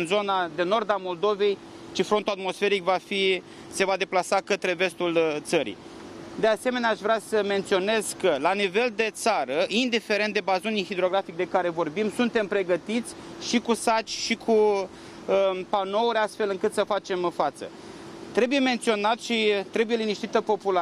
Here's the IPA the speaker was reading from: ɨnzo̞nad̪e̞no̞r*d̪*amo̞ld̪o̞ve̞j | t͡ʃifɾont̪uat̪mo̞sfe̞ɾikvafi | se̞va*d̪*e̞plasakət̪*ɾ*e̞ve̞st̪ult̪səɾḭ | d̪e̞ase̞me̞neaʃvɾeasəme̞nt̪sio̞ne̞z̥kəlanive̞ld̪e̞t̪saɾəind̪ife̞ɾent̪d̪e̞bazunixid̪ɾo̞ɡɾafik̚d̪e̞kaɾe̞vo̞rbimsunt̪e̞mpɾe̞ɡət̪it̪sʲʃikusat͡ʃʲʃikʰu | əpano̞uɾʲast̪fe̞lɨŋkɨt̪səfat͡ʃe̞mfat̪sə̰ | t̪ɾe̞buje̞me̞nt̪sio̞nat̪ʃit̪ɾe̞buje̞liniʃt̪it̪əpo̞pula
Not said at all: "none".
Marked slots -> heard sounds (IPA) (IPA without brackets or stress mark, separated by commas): d̪, d̪, ɾ